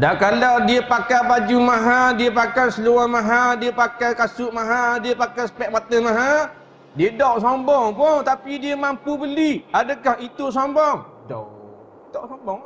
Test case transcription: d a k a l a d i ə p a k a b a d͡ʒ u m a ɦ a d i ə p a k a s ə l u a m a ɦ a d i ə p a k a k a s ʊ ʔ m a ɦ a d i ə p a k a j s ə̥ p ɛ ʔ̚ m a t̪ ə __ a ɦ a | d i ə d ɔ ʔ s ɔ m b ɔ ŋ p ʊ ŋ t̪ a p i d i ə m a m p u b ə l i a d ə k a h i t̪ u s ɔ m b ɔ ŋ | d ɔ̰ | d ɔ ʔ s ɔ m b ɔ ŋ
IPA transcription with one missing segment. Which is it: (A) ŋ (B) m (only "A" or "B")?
B